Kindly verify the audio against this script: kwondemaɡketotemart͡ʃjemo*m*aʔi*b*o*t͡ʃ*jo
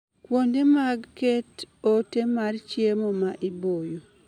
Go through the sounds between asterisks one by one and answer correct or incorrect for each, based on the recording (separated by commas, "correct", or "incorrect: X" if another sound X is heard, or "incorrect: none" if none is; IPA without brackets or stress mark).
correct, correct, incorrect: none